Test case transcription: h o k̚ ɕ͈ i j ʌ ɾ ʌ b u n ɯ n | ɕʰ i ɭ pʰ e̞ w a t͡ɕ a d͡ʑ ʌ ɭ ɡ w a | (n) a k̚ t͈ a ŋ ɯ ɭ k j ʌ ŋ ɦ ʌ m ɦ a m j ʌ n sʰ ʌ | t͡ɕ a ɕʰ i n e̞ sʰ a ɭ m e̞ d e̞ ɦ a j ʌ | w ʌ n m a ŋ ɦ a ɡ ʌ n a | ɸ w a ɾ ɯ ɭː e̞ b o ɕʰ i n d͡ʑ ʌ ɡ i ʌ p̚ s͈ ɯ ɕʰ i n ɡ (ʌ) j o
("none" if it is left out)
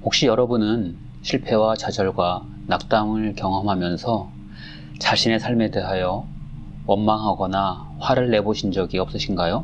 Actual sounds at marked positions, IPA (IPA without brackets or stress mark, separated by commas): n, a